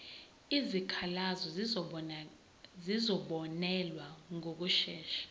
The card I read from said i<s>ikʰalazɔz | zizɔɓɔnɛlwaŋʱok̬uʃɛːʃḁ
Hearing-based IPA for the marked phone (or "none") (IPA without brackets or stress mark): z